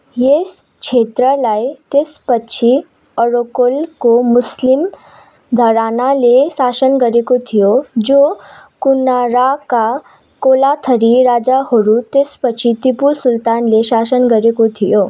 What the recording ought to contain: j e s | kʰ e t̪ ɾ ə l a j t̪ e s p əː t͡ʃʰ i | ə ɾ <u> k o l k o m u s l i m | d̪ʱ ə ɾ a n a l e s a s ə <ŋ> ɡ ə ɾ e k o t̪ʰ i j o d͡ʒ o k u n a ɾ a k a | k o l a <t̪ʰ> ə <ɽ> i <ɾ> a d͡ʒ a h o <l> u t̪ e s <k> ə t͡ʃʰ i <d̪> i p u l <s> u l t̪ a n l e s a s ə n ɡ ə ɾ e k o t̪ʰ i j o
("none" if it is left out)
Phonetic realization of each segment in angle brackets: o, n, t̪ʰ, ɾ, ɾ, ɾ, p, t̪, s

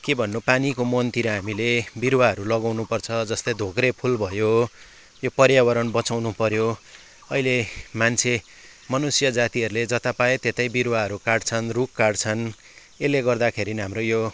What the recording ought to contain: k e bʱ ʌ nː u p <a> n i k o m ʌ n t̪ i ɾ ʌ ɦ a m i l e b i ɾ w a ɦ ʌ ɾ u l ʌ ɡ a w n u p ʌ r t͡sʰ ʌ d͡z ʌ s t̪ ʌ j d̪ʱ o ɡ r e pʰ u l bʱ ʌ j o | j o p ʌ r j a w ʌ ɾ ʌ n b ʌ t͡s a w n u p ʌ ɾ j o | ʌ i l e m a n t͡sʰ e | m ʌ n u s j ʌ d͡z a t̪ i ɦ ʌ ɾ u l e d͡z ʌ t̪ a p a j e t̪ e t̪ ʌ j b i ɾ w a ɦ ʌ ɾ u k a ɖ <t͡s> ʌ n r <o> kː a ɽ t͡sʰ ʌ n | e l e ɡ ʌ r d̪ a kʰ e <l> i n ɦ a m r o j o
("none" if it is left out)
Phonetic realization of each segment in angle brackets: a, t͡sʰ, u, ɾ

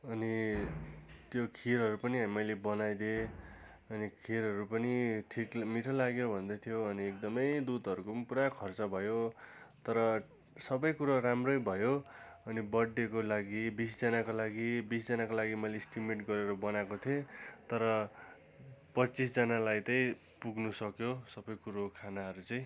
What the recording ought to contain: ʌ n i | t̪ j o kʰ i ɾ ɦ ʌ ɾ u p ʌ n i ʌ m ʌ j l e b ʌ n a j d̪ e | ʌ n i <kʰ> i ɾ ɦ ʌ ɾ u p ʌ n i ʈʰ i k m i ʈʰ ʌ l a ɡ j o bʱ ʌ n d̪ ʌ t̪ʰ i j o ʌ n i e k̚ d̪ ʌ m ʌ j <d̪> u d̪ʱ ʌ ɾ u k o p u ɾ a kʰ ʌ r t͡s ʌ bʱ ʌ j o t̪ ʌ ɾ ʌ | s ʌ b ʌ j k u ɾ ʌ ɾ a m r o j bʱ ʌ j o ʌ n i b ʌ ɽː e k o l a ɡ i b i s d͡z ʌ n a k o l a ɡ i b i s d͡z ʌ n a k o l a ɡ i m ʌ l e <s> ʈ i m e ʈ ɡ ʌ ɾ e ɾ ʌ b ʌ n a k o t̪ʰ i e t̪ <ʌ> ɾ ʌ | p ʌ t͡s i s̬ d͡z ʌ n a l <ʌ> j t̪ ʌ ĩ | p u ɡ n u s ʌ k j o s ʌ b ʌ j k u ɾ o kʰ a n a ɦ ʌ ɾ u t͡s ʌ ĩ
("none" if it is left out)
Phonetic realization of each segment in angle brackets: kʰ, d̪, s, ʌ, a

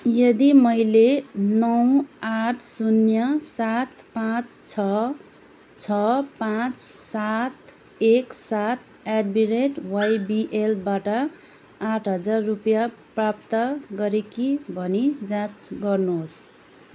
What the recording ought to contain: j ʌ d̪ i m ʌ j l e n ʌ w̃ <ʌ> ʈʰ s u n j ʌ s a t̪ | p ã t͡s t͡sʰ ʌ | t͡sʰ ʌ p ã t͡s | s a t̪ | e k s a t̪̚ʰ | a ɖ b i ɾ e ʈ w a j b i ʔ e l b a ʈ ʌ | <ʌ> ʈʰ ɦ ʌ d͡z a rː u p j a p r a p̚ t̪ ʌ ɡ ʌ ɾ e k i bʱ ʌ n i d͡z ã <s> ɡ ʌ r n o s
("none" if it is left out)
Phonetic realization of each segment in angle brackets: a, a, t͡s

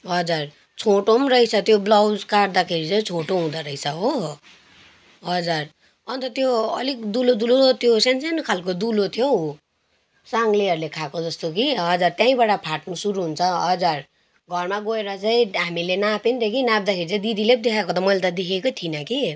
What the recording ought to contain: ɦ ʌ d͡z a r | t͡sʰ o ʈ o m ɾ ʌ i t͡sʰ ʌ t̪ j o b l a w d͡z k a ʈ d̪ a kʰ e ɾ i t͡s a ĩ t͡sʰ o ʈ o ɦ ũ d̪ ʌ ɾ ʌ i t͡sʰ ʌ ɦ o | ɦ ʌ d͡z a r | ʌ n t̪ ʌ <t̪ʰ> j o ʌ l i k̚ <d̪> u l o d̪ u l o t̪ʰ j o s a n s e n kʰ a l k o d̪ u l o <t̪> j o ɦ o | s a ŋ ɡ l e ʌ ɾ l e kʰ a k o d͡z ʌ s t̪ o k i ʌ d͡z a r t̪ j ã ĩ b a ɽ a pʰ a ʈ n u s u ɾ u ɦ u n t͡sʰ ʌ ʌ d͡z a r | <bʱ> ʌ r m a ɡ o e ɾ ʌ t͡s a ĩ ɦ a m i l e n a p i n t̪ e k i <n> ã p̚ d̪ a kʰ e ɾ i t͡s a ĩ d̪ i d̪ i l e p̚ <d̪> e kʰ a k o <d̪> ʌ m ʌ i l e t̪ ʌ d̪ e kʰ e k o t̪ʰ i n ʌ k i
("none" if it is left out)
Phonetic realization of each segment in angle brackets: t̪, d̪, t̪ʰ, ɡʱ, n, d̪, t̪

